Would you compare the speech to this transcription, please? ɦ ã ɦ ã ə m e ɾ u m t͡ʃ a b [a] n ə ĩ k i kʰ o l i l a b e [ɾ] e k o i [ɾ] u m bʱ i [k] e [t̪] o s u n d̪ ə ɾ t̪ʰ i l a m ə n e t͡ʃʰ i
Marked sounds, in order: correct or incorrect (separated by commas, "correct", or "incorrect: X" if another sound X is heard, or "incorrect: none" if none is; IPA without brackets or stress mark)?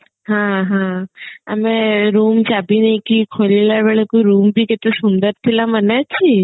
incorrect: i, incorrect: ɭ, correct, correct, correct